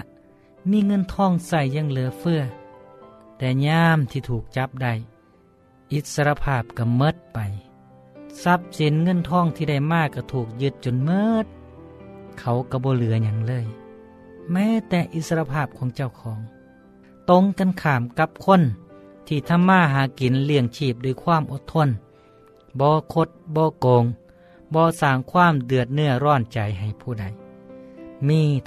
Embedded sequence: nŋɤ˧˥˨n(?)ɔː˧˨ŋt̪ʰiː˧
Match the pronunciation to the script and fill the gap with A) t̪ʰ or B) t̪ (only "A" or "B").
A